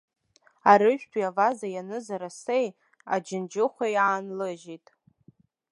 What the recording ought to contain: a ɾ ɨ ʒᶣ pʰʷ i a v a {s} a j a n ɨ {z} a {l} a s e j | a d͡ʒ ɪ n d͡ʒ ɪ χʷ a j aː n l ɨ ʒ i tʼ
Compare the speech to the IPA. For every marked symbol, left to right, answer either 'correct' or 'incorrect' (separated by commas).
incorrect, correct, incorrect